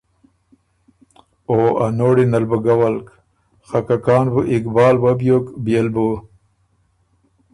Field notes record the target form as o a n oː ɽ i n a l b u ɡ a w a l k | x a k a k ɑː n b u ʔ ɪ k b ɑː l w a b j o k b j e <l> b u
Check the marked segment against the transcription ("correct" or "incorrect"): correct